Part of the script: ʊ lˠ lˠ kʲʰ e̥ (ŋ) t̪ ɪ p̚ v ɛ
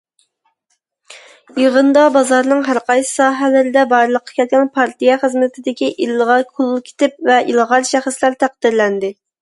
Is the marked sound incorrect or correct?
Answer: incorrect